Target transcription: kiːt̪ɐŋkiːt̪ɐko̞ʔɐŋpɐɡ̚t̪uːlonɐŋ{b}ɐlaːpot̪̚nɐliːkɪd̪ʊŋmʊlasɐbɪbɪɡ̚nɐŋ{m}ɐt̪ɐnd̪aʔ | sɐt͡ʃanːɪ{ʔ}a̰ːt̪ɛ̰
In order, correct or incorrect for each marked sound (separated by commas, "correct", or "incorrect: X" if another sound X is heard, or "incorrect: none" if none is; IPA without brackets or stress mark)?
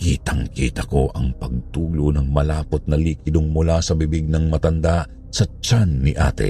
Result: incorrect: m, correct, correct